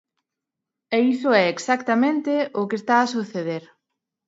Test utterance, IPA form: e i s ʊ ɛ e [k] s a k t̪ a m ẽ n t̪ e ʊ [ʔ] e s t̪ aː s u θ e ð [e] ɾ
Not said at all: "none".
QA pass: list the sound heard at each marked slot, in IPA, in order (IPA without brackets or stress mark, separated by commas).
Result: k, k, e